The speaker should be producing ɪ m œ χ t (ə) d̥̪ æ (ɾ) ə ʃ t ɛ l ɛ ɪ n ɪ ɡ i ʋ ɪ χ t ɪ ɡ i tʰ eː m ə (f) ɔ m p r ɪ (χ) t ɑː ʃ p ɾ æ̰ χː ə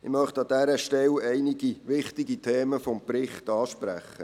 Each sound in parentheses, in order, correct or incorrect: incorrect, correct, correct, correct

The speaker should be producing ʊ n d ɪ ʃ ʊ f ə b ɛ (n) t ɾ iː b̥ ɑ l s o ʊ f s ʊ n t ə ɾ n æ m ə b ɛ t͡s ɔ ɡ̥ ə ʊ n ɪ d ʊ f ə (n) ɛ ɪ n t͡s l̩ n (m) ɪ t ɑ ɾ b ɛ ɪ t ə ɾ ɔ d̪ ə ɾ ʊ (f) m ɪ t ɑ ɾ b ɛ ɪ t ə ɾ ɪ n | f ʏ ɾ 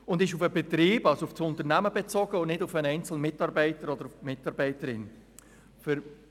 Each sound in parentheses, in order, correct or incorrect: incorrect, correct, correct, correct

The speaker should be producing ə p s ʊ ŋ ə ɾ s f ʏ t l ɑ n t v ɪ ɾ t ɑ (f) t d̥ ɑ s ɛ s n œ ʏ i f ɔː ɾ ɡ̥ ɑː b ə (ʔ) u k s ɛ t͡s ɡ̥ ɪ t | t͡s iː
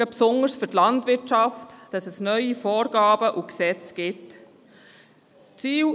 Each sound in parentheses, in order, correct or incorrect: correct, correct

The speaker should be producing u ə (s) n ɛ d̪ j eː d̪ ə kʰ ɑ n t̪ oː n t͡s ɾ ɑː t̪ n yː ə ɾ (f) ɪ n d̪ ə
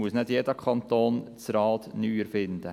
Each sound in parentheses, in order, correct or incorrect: correct, correct

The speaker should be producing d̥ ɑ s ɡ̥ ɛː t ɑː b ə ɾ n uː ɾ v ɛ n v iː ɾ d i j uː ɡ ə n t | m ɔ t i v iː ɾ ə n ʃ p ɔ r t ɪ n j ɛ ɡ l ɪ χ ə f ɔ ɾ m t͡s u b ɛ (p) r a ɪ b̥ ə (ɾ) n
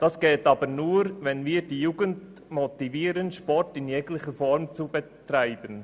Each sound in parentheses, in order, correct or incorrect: incorrect, incorrect

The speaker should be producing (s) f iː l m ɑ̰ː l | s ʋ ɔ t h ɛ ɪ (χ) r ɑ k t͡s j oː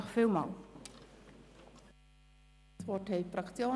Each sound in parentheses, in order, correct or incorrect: incorrect, incorrect

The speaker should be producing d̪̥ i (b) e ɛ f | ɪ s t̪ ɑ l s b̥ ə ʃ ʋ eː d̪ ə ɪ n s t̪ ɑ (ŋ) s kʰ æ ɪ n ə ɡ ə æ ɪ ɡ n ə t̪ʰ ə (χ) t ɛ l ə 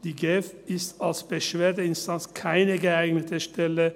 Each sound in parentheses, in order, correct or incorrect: incorrect, incorrect, incorrect

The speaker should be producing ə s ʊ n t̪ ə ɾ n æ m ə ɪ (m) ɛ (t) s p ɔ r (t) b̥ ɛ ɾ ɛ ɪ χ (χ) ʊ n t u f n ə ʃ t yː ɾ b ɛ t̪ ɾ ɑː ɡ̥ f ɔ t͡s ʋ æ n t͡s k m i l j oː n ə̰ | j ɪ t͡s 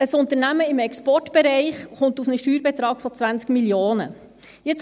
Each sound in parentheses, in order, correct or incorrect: correct, incorrect, correct, correct

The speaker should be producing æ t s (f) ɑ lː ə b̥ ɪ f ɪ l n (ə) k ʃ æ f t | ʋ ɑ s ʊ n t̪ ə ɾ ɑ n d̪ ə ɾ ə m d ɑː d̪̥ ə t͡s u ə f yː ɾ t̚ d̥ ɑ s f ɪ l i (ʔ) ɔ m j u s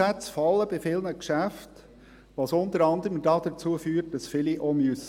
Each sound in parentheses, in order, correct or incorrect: correct, correct, correct

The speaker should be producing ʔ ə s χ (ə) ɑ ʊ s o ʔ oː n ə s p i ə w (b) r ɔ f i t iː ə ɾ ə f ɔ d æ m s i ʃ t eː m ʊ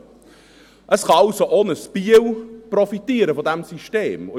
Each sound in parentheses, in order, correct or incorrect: incorrect, incorrect

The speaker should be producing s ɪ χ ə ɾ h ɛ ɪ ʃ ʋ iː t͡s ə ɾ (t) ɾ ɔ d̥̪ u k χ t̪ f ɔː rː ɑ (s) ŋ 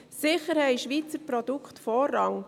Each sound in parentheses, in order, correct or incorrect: incorrect, incorrect

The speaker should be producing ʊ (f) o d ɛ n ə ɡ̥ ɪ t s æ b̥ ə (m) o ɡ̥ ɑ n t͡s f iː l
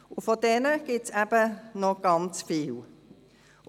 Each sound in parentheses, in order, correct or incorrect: correct, incorrect

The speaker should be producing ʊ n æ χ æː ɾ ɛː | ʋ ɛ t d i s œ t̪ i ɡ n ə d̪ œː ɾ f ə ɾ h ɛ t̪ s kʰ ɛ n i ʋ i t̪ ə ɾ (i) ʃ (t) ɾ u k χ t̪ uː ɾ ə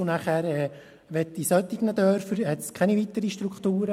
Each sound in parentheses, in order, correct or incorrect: correct, correct

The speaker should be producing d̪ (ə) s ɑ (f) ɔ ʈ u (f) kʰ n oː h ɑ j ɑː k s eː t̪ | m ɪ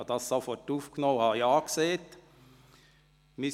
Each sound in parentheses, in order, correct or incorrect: incorrect, correct, correct

